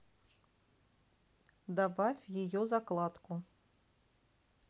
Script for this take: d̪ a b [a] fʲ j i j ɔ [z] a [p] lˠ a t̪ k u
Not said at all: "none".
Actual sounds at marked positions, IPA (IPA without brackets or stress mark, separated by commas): a, z, k